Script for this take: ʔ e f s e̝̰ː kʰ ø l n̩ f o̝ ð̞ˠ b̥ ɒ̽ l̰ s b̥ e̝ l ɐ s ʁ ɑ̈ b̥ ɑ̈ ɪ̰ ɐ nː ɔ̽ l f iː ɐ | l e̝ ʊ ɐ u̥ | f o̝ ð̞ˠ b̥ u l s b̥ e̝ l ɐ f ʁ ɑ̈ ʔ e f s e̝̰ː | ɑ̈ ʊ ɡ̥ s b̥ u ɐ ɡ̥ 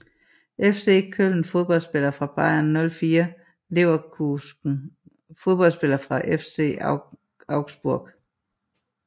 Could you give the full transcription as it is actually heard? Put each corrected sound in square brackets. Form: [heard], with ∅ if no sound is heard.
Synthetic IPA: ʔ e f s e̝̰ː kʰ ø l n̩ f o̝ ð̞ˠ b̥ ɒ̽ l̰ s b̥ e̝ l ɐ [f] ʁ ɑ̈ b̥ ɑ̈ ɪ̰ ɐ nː ɔ̽ l f iː ɐ | l e̝ ʊ ɐ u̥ | f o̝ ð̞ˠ b̥ [ɒ] l s b̥ e̝ l ɐ f ʁ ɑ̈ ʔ e f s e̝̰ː | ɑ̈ ʊ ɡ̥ s b̥ u ɐ ɡ̥